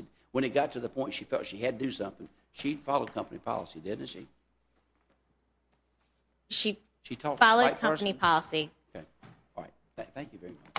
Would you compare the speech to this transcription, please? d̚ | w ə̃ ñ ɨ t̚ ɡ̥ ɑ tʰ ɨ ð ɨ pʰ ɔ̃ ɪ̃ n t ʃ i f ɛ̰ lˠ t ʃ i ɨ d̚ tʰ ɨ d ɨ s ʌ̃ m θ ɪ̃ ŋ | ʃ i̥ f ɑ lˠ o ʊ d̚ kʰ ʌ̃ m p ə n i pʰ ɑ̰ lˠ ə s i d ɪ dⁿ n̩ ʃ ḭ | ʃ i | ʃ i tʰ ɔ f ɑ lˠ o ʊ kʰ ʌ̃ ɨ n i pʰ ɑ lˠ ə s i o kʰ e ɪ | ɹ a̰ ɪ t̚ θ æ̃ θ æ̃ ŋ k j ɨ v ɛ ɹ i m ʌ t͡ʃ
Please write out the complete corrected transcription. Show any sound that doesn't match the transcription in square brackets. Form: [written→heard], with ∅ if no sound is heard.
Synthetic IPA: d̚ | w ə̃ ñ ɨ t̚ ɡ̥ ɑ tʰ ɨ ð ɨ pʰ ɔ̃ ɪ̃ n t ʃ i f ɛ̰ lˠ t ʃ i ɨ d̚ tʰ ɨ d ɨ s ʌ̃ m θ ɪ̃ ŋ | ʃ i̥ f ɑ lˠ o ʊ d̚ kʰ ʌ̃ m p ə n i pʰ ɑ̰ lˠ ə s i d ɪ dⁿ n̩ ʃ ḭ | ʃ i | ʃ i tʰ ɔ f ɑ lˠ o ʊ kʰ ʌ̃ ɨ n i pʰ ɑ lˠ ə s i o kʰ e ɪ | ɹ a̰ ɪ t̚ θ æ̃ θ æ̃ ŋ k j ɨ v ɛ ɹ i m ʌ t͡ʃ